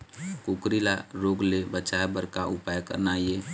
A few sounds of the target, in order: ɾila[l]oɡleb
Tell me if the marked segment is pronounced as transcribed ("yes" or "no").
no